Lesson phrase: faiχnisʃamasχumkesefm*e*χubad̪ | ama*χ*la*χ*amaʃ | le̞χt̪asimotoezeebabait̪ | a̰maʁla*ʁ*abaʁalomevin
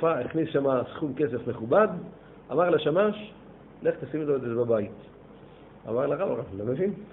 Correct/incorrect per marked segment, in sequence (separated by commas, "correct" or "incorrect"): correct, incorrect, incorrect, correct